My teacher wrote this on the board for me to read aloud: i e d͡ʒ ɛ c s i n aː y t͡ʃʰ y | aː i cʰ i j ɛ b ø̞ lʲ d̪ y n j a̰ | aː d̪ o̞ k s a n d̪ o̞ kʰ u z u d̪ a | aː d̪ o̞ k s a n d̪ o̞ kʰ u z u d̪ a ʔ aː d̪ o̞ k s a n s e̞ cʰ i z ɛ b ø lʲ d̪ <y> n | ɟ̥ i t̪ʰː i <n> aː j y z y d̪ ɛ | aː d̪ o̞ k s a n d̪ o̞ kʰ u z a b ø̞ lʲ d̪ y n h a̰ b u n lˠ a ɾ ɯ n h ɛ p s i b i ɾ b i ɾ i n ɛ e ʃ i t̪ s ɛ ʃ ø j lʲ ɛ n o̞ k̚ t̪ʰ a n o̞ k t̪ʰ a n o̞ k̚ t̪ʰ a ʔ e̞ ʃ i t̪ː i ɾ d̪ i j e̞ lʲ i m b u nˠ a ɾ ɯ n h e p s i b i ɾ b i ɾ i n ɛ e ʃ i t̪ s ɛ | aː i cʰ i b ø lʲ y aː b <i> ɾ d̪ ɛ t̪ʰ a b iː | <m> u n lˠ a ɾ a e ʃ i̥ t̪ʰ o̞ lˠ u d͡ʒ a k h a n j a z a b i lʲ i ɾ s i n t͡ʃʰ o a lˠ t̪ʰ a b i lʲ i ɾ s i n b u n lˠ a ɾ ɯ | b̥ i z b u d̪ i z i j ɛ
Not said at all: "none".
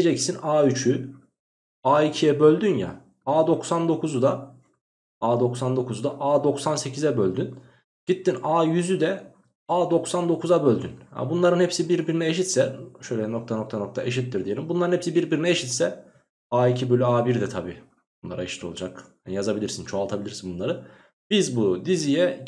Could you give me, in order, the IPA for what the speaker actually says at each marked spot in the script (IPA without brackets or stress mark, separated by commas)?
y, n, i, b